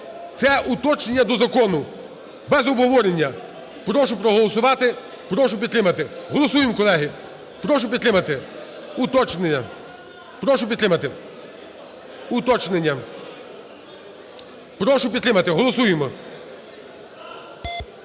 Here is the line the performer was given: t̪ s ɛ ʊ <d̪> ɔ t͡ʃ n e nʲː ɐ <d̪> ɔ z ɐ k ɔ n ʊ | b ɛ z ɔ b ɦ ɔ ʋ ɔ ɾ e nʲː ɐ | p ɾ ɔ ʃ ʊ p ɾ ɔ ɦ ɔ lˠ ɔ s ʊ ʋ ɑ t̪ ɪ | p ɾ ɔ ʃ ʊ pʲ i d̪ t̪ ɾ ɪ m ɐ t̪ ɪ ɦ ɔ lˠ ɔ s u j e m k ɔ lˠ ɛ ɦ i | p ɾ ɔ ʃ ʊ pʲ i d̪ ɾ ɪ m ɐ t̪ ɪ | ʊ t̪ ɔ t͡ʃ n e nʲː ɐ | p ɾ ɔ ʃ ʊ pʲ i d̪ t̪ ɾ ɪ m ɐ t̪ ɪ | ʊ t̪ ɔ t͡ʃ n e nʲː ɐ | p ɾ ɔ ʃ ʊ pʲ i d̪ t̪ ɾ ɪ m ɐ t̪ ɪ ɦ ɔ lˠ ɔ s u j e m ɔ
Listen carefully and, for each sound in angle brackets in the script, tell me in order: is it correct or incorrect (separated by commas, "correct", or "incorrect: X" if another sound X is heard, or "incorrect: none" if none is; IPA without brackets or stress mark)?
incorrect: t̪, correct